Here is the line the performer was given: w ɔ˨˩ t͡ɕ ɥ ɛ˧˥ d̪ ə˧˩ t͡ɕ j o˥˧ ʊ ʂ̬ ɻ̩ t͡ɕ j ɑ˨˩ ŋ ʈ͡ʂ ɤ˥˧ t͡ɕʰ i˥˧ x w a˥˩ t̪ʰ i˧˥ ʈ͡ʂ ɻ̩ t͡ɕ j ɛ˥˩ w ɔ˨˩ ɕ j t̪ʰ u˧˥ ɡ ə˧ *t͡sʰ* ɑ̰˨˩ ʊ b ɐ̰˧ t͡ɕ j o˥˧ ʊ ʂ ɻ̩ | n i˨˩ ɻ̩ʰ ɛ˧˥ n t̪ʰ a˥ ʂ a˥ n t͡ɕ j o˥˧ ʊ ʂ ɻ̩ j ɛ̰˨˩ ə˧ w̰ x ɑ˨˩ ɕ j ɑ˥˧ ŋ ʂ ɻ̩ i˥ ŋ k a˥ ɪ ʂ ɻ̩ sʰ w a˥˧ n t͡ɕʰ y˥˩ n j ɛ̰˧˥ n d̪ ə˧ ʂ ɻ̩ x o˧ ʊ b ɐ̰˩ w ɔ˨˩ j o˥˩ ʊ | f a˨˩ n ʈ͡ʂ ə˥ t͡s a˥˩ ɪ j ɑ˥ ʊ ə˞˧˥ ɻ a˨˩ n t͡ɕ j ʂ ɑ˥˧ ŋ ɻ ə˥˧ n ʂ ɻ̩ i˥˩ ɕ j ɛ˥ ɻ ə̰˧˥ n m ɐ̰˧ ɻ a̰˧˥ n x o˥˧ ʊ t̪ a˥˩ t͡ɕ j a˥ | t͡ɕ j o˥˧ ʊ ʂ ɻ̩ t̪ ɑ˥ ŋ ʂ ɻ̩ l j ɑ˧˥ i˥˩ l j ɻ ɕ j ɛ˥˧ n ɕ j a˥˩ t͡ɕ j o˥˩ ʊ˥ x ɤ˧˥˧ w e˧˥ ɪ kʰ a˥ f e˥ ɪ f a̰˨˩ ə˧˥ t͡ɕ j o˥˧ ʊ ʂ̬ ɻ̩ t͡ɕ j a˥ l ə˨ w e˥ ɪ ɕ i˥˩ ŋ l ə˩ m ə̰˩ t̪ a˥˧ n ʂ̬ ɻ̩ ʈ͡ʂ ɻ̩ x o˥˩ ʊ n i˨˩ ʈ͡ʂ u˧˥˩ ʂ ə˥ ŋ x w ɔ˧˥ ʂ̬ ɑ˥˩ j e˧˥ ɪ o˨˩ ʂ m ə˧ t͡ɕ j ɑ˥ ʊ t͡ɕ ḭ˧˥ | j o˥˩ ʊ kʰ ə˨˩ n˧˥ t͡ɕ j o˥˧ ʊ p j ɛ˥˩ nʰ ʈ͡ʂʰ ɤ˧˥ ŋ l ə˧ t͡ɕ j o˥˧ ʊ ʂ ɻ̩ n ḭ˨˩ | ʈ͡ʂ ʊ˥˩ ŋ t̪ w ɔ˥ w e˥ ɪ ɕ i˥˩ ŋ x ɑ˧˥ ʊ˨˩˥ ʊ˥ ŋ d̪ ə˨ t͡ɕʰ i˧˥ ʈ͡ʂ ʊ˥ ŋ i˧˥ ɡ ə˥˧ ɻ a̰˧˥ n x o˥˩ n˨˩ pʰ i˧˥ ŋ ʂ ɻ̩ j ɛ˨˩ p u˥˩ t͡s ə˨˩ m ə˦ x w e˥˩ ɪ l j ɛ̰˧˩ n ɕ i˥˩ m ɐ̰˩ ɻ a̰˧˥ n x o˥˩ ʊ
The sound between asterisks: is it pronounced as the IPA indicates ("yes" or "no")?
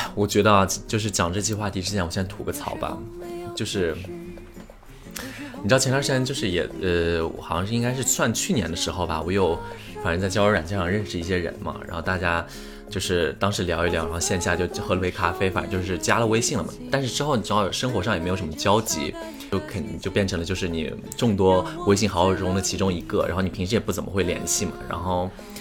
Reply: yes